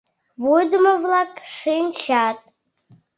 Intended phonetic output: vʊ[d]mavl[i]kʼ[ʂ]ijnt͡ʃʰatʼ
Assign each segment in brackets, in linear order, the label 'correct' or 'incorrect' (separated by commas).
correct, incorrect, correct